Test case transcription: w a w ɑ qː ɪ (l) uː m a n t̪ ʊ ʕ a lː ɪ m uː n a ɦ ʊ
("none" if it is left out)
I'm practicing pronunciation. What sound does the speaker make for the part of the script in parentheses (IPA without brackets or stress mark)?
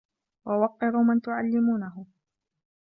ɾ